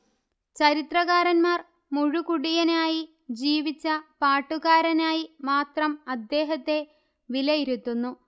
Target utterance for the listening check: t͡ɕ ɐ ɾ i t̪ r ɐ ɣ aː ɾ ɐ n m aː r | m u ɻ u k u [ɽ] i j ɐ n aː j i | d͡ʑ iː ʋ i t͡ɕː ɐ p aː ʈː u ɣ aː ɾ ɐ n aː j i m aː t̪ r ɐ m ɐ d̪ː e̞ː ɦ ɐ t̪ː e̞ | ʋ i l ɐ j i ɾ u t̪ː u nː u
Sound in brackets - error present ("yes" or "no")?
no